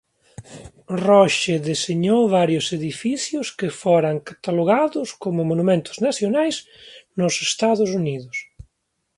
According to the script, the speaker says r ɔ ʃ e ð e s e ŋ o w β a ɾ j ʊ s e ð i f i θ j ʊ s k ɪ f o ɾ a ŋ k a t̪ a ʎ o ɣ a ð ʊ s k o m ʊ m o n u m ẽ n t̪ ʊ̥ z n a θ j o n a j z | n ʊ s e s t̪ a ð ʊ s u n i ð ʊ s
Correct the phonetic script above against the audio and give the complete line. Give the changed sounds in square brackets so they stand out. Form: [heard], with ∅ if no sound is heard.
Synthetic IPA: r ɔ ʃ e ð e s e [ɲ] o w β a ɾ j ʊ s e ð i f i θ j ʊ s k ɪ f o ɾ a ŋ k a t̪ a [l] o ɣ a ð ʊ s k o m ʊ m o n u m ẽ n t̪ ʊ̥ z n a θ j o n a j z | n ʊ s e s t̪ a ð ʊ s u n i ð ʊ s